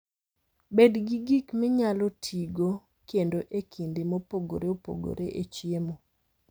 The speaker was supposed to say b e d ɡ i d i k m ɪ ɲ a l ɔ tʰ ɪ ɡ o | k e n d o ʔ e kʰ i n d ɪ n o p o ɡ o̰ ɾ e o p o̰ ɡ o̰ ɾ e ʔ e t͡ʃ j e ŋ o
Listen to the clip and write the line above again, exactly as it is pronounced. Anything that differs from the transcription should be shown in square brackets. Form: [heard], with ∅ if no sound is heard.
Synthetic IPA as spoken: b e d ɡ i [ɡ] i k m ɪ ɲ a l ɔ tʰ [i] ɡ o | k e n d o ʔ e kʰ i n d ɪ [m] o p o ɡ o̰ ɾ e o p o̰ ɡ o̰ ɾ e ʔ e t͡ʃ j e [m] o